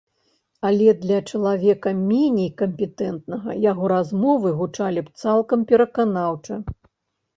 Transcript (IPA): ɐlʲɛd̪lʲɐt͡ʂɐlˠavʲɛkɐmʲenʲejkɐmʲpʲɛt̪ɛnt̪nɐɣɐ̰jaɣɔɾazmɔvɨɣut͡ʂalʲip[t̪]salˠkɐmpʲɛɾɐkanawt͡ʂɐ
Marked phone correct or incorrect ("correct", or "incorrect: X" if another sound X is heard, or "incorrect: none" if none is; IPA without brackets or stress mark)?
correct